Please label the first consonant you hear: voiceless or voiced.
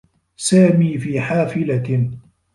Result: voiceless